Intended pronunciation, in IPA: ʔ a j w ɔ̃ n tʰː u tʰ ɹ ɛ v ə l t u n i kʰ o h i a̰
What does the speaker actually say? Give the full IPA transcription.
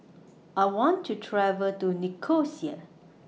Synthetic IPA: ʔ a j w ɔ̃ n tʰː u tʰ ɹ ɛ v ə l t u n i kʰ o s i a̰

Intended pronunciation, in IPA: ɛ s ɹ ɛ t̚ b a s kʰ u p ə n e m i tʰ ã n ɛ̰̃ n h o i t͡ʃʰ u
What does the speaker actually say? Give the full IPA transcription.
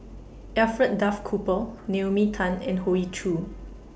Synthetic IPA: ɛ f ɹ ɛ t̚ d a f kʰ u p ə n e m i tʰ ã n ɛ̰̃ n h o i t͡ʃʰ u

